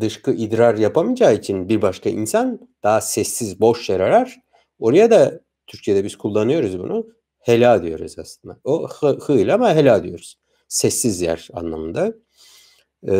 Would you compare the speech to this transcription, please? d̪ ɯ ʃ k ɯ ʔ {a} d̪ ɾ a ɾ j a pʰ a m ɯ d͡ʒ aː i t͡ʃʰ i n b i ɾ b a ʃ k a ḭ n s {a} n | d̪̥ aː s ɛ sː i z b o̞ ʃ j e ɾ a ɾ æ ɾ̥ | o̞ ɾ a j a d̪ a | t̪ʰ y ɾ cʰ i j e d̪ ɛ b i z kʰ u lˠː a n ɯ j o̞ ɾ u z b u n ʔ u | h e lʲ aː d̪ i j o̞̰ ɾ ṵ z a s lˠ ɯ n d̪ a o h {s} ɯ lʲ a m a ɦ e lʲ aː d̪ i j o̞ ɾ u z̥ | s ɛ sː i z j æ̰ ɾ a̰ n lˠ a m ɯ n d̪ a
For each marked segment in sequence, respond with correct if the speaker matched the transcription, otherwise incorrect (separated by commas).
incorrect, correct, incorrect